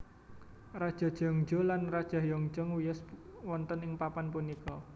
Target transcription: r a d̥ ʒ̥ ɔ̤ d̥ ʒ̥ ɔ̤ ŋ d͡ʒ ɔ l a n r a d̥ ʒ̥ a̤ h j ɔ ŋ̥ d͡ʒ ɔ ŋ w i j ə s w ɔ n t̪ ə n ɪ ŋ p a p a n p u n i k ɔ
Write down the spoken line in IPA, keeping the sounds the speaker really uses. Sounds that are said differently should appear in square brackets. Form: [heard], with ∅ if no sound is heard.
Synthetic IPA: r a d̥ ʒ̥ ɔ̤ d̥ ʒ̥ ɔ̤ ŋ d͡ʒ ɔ l a n r a d̥ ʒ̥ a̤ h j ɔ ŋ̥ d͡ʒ ɔ ŋ w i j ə s w ɔ n t̪ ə n ɪ ŋ p a p a n p u n i k ɔ